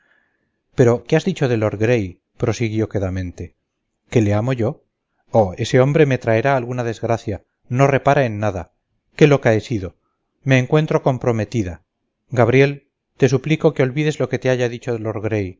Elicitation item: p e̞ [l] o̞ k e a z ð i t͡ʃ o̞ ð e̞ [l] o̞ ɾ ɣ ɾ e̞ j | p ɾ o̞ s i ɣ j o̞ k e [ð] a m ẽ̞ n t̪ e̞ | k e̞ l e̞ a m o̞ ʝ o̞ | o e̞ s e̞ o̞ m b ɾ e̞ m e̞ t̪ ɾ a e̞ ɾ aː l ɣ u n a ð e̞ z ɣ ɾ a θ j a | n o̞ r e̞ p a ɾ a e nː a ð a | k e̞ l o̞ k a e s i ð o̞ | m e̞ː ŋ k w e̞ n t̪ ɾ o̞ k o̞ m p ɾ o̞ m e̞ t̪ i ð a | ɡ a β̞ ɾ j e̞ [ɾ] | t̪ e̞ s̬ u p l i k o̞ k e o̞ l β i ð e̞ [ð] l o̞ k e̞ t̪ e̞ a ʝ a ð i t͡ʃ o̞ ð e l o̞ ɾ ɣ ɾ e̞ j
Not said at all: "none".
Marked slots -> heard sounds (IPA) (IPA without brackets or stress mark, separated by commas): ɾ, l, ð, l, z